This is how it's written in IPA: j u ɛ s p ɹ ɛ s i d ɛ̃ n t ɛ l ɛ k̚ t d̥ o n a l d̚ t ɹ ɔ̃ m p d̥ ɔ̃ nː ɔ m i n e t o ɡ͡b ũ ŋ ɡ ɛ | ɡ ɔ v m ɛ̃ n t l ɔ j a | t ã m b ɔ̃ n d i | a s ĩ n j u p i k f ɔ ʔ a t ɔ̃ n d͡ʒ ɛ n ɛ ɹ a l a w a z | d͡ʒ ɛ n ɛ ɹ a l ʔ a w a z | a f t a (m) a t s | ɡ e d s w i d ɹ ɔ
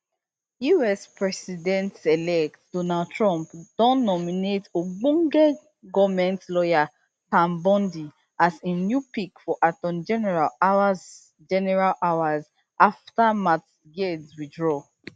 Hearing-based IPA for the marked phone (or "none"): m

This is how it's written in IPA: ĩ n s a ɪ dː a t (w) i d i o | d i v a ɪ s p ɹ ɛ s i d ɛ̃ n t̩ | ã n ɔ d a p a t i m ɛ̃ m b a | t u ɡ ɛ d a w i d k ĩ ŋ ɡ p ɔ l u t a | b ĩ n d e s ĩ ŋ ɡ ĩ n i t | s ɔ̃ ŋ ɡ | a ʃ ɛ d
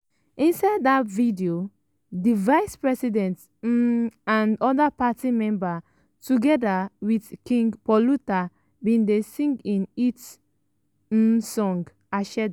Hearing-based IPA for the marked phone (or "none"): v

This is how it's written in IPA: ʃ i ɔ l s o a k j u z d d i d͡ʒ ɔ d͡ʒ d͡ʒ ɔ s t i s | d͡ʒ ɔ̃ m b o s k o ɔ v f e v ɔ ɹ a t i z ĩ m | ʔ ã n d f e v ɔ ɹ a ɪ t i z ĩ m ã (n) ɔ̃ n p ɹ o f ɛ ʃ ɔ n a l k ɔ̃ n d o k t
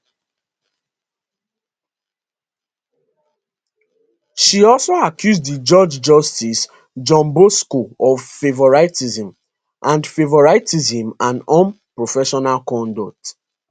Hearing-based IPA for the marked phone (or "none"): n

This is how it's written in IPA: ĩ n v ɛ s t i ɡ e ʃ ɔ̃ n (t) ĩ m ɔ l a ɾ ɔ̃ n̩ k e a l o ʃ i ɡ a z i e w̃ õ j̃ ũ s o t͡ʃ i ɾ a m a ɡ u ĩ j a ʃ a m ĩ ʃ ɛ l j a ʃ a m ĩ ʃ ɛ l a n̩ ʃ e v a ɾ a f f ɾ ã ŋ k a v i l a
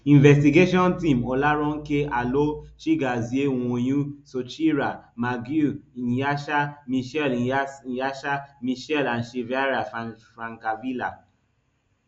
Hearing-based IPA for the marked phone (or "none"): t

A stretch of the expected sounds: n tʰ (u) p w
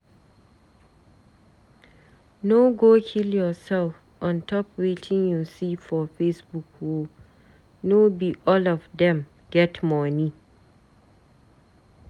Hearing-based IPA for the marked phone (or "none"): ɔ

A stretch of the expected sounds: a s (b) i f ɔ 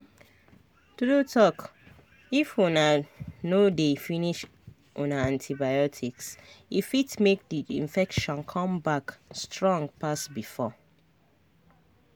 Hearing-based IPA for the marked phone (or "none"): b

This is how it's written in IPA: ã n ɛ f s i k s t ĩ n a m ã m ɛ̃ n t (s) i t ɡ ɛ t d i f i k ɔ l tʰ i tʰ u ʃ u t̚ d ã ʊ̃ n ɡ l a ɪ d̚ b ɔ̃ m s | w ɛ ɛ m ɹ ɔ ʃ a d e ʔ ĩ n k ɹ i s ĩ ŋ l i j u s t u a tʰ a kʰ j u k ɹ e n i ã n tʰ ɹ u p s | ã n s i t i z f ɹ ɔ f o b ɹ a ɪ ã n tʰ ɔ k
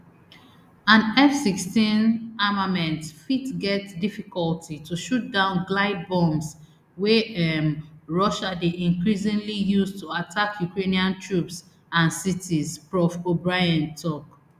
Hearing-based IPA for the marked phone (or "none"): f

